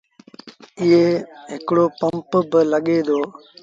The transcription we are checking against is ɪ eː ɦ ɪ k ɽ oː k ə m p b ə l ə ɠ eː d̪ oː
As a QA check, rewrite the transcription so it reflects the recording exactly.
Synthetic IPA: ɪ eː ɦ ɪ k ɽ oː p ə m p b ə l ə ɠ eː d̪ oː